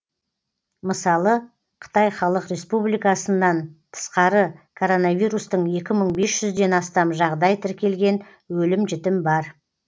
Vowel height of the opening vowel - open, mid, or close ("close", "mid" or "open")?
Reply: mid